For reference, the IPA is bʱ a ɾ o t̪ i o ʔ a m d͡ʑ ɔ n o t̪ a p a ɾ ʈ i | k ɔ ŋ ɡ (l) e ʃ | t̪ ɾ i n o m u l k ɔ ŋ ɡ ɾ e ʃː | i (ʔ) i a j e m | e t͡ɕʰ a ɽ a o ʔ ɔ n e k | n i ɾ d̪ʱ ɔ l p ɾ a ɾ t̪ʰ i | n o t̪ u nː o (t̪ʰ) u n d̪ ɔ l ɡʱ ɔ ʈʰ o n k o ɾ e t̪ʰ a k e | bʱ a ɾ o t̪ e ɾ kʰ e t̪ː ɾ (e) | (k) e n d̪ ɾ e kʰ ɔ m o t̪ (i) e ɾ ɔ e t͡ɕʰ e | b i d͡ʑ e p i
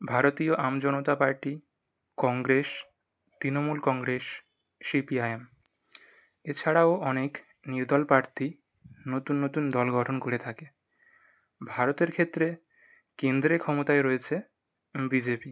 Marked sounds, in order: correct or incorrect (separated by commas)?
incorrect, incorrect, incorrect, correct, correct, incorrect